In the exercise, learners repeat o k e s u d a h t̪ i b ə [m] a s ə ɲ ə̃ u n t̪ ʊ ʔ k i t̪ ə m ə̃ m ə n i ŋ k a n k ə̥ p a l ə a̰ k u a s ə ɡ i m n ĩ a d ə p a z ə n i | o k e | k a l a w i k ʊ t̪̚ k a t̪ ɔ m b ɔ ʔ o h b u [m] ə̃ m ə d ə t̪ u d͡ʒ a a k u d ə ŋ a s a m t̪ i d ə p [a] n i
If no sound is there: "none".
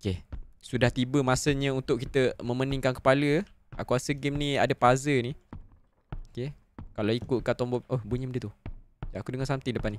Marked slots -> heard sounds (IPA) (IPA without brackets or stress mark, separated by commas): m, ɲ, a